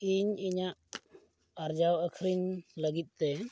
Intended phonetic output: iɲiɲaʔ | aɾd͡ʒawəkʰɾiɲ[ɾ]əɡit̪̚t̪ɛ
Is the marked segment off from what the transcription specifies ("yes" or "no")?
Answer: yes